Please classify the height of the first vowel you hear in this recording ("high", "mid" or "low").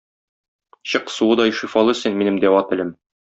mid